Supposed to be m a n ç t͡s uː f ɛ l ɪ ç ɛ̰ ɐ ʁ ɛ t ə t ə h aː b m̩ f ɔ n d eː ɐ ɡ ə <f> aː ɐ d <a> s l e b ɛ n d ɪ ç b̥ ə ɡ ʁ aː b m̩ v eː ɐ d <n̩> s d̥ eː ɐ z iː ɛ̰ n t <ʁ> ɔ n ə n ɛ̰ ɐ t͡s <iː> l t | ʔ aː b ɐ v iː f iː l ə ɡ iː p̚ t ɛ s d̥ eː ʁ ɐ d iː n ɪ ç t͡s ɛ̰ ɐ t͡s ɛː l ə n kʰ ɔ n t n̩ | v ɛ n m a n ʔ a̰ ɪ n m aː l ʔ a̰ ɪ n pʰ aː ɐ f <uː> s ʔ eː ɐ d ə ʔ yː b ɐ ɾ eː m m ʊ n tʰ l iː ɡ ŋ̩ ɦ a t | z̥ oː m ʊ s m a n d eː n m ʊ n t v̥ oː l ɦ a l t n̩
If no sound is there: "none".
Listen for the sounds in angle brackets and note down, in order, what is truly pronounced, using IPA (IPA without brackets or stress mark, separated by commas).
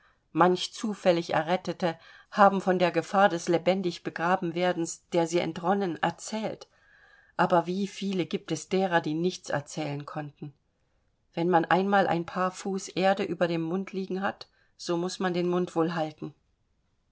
f, ɛ, n̩, ʁ, ɛː, uː